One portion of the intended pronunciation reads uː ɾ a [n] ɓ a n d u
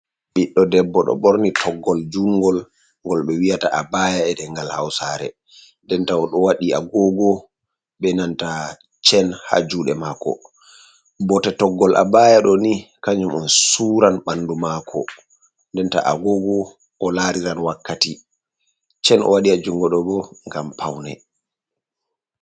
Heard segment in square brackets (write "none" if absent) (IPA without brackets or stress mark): n